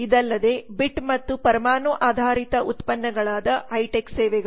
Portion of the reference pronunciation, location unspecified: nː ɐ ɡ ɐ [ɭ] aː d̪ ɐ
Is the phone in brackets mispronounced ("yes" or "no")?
no